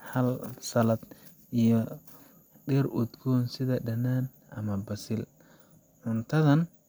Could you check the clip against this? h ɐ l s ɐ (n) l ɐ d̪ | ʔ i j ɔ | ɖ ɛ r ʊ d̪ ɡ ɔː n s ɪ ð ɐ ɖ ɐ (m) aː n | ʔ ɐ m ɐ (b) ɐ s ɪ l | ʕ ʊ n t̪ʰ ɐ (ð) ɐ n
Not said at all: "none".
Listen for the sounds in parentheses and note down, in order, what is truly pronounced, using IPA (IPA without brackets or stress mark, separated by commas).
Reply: none, n, b, ð